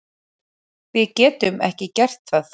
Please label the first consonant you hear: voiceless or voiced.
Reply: voiced